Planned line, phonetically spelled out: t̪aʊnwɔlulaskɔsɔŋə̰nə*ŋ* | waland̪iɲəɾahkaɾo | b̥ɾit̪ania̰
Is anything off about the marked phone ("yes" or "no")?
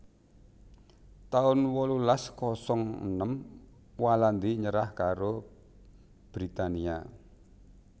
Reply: yes